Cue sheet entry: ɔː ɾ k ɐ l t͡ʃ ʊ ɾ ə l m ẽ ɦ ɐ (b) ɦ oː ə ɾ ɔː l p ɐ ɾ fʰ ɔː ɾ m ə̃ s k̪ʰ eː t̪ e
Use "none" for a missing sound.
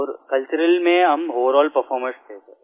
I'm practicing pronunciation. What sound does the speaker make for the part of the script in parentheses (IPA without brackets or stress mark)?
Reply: m